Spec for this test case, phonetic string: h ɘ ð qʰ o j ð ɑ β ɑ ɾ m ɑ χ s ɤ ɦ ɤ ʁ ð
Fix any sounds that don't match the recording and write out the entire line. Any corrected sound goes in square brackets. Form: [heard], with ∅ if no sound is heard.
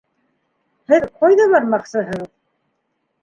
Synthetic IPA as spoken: h ɘ ð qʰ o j ð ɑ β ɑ ɾ m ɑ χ s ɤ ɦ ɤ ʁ ð